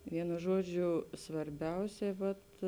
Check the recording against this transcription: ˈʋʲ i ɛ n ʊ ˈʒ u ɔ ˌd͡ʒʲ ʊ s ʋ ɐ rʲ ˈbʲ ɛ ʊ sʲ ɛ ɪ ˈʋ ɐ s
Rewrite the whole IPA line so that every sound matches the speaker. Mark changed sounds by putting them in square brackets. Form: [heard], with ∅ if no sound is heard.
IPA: ˈʋʲ i ɛ n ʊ ˈʒ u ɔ ˌd͡ʒʲ ʊ s ʋ ɐ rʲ ˈbʲ ɛ ʊ sʲ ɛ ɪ ˈʋ ɐ [t]